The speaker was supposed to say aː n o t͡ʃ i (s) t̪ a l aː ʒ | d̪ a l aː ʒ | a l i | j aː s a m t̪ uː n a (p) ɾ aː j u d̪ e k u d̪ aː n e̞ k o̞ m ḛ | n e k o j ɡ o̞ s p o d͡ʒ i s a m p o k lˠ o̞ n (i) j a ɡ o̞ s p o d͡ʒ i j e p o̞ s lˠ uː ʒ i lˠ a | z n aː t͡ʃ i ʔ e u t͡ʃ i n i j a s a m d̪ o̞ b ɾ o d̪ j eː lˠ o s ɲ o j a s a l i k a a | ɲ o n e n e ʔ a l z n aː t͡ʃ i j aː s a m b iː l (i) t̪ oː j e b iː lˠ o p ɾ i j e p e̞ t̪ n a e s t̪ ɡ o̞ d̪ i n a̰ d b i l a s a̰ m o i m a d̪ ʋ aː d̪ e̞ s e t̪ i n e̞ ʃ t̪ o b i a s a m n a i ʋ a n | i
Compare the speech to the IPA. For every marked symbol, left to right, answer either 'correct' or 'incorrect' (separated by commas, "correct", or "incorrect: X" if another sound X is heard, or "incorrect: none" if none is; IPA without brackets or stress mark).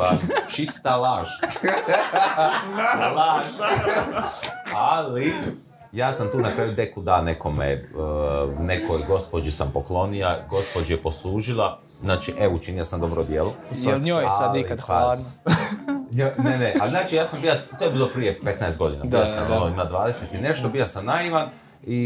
correct, incorrect: k, correct, incorrect: a